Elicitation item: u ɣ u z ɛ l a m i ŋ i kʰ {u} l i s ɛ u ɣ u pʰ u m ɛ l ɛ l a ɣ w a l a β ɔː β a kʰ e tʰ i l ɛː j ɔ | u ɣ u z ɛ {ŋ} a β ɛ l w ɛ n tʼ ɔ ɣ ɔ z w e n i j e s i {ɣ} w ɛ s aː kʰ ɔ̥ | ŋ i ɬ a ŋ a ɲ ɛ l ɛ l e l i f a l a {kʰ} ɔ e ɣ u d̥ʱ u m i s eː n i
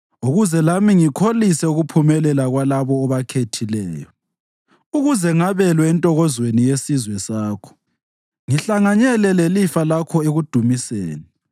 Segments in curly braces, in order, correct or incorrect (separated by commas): incorrect, correct, incorrect, correct